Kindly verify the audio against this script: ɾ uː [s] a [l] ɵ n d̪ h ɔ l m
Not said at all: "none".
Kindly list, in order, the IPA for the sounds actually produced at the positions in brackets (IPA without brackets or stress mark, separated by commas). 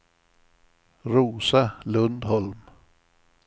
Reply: s, l